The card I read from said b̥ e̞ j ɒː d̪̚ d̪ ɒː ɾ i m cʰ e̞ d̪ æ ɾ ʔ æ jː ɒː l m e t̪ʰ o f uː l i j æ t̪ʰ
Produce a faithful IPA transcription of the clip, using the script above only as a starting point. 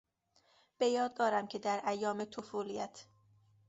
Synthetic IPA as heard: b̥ e̞ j ɒː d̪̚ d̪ ɒː ɾ æ m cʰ e̞ d̪ æ ɾ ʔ æ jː ɒː m e t̪ʰ o f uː l i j æ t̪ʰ

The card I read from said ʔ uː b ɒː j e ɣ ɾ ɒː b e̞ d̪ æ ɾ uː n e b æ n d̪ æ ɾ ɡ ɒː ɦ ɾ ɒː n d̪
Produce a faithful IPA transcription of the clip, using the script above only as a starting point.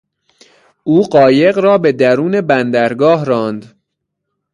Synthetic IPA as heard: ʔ uː ɢ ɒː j e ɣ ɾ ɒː b e̞ d̪ æ ɾ uː n e b æ n d̪ æ ɾ ɡ ɒː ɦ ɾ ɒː n d̪

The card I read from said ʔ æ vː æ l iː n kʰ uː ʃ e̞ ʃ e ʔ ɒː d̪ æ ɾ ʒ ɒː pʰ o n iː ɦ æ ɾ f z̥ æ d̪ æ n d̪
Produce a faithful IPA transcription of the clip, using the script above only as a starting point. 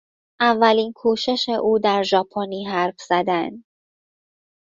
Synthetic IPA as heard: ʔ æ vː æ l iː n kʰ uː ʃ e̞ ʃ e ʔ uː d̪ æ ɾ ʒ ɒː pʰ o n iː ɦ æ ɾ f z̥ æ d̪ æ n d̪

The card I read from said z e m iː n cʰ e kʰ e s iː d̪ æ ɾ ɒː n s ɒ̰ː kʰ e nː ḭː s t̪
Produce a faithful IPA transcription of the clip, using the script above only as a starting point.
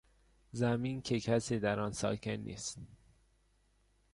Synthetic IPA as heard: z æ m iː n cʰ e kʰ æ s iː d̪ æ ɾ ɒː n s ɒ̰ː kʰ e nː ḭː s t̪

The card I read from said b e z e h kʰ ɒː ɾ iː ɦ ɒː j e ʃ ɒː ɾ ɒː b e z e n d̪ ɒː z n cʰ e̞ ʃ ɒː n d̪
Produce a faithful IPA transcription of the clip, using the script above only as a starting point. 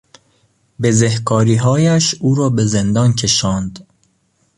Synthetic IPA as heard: b e z e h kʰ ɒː ɾ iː ɦ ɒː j æ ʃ uː ɾ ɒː b e z e n d̪ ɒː n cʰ e̞ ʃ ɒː n d̪

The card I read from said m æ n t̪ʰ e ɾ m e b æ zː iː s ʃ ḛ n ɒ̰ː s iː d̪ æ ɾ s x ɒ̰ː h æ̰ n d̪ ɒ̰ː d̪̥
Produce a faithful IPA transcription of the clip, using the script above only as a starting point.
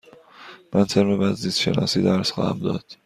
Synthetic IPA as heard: m æ n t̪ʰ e ɾ m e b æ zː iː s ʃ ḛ n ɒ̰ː s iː d̪ æ ɾ s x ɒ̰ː h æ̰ m d̪ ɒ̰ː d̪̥

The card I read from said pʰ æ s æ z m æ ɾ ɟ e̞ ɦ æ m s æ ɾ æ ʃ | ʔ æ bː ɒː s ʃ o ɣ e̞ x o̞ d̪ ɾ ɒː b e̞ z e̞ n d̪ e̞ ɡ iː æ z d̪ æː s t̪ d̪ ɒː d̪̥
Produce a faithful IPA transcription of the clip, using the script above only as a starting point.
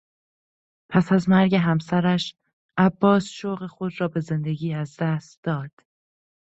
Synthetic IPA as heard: pʰ æ s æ z m æ ɾ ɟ e̞ ɦ æ m s æ ɾ æ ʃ | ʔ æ bː ɒː s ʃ o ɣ e̞ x o̞ d̪ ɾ ɒː b e̞ z e̞ n d̪ e̞ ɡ iː æ z d̪ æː s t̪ d̪ ɒː d̪̥

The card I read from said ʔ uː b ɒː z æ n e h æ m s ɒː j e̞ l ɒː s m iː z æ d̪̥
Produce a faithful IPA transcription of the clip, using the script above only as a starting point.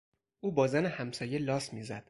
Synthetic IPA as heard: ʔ uː b ɒː z æ n e h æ m s ɒː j e̞ l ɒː s m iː z æ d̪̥

